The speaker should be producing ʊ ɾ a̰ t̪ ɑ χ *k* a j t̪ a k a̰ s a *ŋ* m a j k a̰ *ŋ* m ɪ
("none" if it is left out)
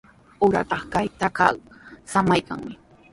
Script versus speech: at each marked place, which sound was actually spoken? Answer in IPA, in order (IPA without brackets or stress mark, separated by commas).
k, none, ŋ